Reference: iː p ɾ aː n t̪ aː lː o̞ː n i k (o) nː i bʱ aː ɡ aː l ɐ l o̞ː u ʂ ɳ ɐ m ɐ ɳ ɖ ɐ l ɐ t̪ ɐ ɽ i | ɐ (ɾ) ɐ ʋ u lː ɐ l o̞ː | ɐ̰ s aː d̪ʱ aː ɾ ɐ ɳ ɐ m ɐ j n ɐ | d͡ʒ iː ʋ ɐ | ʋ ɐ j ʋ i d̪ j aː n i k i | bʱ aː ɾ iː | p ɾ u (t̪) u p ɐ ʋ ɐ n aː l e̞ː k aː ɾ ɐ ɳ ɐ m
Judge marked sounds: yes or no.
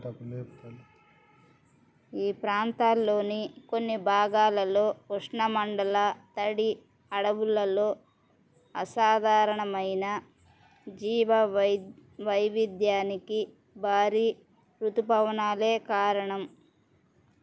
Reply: yes, no, yes

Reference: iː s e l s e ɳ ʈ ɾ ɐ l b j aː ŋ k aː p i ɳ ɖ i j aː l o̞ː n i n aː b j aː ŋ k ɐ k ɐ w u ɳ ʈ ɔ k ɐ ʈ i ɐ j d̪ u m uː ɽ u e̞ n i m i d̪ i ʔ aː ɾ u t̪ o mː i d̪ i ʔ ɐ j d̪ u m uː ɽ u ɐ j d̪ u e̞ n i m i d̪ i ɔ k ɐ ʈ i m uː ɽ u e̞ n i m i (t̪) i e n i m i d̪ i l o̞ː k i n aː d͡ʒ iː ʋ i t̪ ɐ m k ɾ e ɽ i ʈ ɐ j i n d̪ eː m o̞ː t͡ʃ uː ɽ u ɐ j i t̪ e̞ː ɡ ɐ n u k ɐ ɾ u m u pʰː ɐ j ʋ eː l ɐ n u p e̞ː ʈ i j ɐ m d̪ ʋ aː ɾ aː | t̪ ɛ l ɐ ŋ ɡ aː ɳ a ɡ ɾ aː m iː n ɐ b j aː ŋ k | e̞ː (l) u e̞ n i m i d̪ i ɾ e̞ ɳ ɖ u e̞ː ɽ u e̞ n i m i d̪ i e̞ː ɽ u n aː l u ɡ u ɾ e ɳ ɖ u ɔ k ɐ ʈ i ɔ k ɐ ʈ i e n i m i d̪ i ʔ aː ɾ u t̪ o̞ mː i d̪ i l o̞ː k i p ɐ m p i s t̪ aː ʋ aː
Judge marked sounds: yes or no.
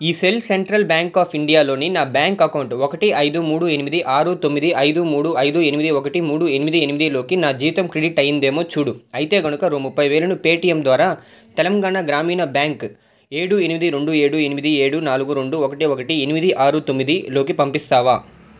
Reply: no, no

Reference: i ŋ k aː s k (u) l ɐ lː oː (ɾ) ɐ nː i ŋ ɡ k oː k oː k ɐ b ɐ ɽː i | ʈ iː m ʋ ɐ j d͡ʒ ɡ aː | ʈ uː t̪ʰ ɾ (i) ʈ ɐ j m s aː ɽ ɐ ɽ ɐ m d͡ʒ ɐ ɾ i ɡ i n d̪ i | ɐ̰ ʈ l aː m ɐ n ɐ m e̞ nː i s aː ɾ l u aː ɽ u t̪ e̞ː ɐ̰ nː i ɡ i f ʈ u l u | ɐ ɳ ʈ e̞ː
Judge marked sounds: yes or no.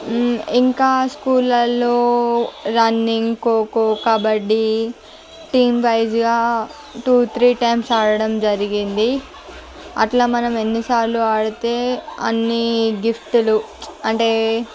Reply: no, yes, no

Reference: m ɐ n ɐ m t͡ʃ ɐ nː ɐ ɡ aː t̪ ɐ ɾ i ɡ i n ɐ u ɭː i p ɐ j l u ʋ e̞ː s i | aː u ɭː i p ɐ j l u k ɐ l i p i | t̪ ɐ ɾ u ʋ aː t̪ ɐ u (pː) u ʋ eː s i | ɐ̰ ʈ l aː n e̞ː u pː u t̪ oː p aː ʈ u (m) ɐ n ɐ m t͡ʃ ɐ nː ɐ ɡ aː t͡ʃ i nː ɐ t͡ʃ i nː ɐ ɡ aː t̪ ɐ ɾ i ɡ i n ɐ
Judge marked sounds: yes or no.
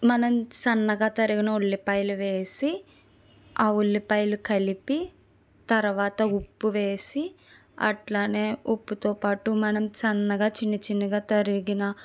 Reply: yes, yes

